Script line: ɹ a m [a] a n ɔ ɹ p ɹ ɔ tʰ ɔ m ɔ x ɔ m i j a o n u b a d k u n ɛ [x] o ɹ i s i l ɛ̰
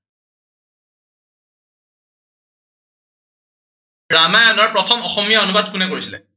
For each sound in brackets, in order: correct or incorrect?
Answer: correct, incorrect

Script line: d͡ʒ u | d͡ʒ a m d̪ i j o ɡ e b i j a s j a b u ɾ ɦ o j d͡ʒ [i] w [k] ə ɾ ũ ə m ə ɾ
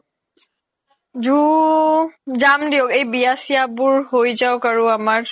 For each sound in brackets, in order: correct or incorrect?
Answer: incorrect, correct

